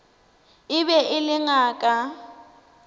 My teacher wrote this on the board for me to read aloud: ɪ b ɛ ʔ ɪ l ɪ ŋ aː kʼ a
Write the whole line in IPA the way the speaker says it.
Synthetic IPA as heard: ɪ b ɛ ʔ ɪ l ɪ ŋ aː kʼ a